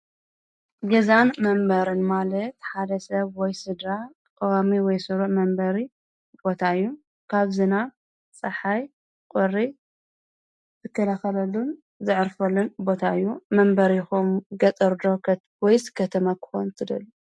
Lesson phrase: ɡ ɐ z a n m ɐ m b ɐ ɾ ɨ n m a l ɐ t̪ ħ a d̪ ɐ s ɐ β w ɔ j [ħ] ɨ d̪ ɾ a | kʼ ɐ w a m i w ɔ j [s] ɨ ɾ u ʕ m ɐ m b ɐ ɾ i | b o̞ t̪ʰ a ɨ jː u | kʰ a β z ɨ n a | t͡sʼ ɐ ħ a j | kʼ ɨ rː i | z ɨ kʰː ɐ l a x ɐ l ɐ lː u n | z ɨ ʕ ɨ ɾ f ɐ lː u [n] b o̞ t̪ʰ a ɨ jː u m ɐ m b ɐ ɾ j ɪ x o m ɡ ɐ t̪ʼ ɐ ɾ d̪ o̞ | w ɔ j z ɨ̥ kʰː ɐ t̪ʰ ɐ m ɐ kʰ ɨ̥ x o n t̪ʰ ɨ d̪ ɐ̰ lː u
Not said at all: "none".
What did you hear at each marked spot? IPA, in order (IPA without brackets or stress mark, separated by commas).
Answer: s, s, n